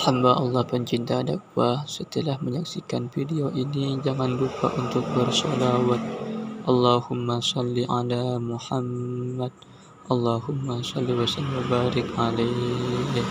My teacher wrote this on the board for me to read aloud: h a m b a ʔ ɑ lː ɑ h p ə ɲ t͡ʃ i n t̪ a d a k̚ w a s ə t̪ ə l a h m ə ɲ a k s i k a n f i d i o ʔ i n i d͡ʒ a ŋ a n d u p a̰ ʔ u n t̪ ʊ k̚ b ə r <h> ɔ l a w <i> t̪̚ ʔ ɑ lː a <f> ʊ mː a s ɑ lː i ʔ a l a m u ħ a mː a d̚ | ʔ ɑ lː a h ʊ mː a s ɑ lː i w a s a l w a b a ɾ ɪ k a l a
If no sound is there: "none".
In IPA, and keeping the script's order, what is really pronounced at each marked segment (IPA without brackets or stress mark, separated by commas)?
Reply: s, a, h